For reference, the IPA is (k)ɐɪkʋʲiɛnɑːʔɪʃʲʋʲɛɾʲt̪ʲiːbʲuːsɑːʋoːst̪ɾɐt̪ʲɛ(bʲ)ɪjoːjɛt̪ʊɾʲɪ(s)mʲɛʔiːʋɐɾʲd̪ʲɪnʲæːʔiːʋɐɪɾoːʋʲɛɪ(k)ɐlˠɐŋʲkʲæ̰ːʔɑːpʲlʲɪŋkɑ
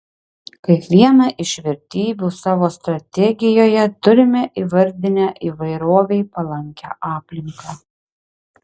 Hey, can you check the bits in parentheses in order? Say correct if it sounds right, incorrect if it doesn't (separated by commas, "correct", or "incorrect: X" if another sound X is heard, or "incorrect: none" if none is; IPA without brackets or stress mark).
correct, incorrect: ɡʲ, incorrect: none, incorrect: p